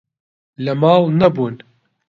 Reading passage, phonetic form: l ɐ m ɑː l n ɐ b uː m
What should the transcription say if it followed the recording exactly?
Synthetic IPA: l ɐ m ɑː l n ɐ b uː n